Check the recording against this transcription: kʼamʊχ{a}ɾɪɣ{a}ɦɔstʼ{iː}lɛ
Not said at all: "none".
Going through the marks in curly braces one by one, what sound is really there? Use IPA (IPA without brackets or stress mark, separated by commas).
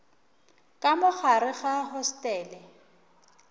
a, a, ɛː